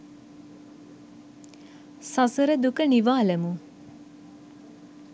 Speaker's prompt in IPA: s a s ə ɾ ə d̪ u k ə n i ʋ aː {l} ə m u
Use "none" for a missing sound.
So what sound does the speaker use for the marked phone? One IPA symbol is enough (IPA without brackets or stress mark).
l